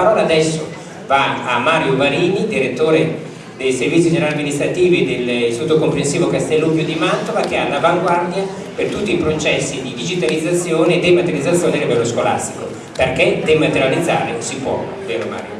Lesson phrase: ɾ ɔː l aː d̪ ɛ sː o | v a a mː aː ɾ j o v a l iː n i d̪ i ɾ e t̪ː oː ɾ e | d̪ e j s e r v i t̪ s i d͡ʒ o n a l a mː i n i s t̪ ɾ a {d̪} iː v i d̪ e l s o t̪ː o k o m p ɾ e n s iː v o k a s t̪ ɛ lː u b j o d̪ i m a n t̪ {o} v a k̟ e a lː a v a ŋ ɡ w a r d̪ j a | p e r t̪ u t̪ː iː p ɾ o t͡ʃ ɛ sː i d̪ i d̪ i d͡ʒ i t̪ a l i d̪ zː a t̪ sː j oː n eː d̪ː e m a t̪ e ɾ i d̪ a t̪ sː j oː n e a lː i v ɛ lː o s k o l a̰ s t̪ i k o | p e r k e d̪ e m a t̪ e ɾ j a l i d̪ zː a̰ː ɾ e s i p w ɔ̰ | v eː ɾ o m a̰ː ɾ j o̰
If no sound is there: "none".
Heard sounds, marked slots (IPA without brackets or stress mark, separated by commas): t̪, o